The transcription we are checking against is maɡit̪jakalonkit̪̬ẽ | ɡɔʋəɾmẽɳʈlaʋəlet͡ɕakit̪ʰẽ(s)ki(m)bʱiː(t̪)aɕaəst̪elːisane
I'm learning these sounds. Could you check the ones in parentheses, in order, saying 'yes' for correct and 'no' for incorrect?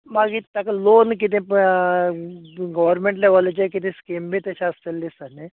yes, yes, yes

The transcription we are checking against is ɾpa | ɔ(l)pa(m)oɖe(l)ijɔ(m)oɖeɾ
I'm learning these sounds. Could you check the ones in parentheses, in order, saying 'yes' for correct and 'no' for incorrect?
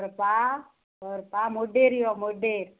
no, yes, no, yes

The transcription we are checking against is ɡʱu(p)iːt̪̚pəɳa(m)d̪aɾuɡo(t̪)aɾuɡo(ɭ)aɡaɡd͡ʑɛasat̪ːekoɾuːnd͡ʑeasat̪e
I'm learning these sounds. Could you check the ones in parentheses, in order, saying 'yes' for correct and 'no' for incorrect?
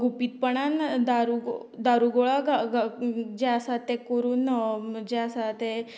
yes, no, no, yes

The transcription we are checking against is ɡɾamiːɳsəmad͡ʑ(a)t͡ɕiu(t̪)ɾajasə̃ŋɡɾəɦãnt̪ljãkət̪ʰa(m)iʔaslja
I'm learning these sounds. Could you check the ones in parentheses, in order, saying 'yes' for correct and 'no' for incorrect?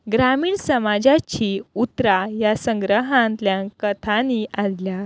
yes, yes, no

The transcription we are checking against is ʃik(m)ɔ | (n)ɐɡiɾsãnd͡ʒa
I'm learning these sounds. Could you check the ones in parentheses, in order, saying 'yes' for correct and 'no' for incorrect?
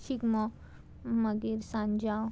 yes, no

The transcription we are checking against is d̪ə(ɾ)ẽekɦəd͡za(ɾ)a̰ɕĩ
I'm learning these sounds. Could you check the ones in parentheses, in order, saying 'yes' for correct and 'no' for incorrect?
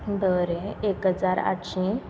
yes, yes

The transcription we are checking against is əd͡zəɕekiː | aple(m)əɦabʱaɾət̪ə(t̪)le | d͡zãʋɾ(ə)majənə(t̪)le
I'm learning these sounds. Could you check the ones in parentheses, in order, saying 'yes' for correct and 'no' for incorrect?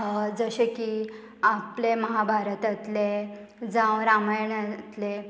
yes, yes, no, yes

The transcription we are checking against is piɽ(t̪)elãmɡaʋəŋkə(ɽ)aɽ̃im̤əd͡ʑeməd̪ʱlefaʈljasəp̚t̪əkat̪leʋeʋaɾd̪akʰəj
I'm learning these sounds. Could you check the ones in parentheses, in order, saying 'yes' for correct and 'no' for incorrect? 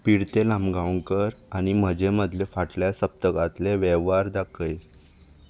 yes, no

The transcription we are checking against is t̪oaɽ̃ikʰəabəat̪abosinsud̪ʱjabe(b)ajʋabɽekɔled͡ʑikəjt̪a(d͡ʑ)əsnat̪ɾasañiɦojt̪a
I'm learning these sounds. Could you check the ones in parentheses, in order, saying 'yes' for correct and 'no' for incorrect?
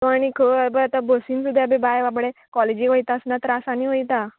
yes, no

